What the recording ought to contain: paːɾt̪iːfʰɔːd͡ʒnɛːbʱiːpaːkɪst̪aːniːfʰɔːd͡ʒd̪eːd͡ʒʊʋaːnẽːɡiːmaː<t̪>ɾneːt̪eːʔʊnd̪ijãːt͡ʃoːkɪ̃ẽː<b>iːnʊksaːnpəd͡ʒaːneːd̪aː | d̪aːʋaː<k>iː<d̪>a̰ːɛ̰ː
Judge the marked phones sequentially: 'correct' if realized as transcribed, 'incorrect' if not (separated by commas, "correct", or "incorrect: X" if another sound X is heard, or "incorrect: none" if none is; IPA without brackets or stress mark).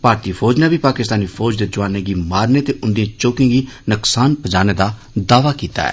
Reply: incorrect: none, incorrect: ɡ, correct, incorrect: t̪